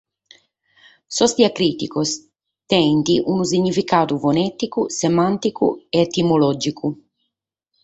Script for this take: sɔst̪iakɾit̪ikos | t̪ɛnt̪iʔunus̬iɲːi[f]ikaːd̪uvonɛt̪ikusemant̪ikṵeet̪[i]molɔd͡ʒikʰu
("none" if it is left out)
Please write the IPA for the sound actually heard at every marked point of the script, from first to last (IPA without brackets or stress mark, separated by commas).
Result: f, i